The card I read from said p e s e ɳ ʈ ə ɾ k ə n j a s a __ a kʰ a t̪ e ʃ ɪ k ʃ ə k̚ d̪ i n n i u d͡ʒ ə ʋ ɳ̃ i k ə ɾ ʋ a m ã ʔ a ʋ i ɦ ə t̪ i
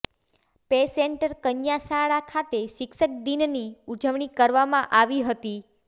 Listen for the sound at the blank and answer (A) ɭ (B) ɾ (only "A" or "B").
A